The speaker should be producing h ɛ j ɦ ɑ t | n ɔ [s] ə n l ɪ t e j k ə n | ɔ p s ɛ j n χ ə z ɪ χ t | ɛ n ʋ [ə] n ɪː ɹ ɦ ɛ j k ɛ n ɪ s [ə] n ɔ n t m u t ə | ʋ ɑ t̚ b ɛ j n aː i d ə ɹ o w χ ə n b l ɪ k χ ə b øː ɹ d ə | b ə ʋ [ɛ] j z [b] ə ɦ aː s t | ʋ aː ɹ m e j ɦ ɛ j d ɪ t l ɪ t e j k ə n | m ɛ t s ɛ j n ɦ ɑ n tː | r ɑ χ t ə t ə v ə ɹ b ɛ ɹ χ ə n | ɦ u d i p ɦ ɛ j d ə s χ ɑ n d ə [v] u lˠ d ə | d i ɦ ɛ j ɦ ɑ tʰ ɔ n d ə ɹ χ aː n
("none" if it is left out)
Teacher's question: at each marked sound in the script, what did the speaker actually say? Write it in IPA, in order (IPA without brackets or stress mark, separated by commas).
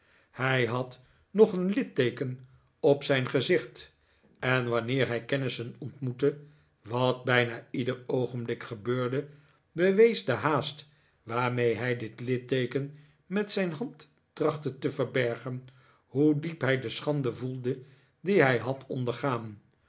χ, ɑ, ə, e, d, v